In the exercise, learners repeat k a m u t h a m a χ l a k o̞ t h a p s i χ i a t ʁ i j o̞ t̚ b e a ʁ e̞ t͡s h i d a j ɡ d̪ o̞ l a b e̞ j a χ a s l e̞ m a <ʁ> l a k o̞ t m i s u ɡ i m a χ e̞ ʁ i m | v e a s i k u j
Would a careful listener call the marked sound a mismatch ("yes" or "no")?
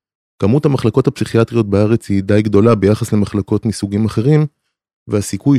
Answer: yes